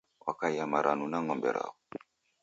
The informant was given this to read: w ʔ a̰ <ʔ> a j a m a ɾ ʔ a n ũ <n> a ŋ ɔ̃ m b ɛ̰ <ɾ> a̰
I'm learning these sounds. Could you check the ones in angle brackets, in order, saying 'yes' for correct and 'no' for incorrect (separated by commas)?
no, yes, yes